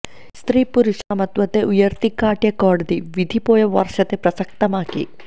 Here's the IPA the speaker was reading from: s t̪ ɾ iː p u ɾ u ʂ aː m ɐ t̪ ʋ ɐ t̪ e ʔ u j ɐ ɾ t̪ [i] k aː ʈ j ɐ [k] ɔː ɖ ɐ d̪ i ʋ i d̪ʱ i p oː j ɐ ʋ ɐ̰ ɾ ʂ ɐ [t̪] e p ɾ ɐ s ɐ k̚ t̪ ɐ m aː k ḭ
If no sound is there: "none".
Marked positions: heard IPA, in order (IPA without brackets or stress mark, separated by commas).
i, k, t̪